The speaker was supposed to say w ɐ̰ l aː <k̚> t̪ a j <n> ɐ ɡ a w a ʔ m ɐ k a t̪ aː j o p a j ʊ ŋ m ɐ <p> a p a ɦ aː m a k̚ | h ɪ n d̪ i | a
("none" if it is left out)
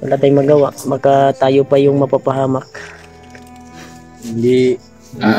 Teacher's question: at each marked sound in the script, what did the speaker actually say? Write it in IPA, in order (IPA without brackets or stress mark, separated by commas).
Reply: none, m, p